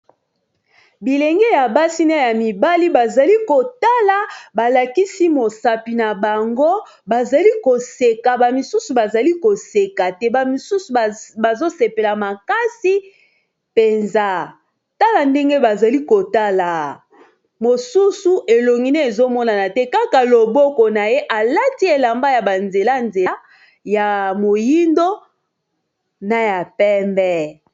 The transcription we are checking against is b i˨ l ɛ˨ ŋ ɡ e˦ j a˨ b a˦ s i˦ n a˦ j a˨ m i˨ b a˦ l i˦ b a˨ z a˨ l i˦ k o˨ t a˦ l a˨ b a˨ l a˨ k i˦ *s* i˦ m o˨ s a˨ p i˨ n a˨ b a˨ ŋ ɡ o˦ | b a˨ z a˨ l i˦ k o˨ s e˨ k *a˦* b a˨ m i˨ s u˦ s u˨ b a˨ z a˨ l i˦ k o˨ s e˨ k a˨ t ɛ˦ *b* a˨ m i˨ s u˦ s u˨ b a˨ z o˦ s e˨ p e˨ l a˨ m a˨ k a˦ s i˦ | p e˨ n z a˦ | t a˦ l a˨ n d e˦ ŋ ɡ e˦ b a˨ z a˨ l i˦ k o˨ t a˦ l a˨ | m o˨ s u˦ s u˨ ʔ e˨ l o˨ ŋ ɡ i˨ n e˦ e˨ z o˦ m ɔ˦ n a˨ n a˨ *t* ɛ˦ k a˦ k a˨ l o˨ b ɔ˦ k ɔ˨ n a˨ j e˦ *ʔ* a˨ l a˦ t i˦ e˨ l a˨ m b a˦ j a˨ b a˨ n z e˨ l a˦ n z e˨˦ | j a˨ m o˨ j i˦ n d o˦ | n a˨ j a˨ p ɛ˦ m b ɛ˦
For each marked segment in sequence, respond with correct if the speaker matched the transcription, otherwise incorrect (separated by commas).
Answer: correct, incorrect, correct, correct, correct